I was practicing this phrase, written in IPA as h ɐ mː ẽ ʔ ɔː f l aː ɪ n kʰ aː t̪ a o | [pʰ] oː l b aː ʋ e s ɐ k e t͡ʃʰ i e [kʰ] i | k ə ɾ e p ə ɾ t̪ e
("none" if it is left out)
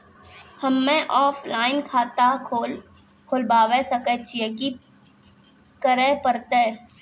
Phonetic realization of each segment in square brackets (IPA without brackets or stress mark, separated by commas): kʰ, k